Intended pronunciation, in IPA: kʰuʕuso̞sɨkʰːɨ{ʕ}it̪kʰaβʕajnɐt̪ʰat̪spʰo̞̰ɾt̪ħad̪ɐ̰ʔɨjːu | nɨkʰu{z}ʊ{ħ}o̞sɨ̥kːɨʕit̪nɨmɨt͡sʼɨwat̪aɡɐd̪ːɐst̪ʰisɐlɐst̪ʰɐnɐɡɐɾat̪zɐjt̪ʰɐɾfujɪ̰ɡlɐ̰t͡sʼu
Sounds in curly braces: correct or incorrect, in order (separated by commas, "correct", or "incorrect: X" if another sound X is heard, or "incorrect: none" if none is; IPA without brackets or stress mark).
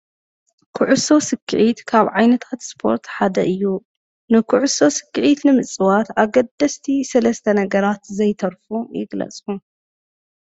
correct, incorrect: ʕ, incorrect: s